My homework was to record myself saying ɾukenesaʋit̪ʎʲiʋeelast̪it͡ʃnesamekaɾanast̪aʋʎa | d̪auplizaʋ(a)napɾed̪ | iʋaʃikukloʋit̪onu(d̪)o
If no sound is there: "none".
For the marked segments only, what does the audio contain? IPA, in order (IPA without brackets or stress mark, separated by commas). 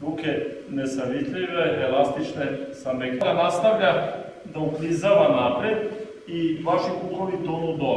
a, d̪